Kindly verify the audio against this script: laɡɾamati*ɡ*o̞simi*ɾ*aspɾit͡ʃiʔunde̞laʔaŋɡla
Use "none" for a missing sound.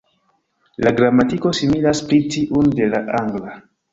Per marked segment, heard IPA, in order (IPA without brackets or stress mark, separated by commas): k, l